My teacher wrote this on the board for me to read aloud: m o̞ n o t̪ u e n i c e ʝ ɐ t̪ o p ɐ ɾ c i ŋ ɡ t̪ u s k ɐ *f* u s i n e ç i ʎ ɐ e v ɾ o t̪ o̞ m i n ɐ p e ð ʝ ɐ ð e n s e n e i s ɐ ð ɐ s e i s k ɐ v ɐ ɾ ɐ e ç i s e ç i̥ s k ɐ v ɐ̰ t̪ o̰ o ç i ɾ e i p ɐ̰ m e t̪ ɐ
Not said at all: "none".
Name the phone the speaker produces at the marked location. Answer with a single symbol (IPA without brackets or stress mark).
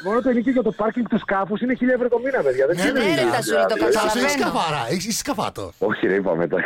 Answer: f